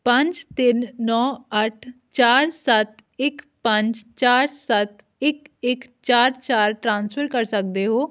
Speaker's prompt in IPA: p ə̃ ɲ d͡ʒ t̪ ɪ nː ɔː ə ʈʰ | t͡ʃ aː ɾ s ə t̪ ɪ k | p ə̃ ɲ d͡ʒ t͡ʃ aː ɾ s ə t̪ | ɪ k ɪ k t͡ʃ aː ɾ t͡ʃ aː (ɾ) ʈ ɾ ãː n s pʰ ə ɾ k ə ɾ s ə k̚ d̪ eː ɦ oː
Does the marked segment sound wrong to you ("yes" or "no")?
no